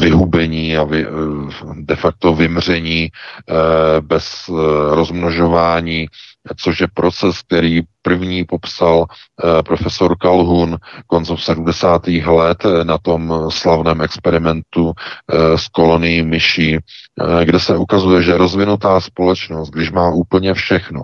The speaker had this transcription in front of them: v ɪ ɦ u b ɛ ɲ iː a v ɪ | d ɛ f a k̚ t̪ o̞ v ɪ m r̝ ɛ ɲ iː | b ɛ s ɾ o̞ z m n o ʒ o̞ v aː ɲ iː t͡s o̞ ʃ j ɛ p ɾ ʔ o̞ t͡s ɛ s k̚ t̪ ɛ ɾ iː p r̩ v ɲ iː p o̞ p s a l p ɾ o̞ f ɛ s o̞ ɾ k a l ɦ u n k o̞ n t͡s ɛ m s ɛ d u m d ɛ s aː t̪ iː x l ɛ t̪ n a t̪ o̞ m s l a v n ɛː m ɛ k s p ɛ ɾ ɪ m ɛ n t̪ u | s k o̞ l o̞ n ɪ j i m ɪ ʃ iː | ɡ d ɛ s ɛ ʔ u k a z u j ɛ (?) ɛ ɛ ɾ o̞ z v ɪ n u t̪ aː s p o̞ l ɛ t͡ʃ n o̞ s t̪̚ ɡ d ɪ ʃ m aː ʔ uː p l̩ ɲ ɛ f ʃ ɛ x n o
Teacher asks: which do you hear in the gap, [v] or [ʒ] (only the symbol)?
ʒ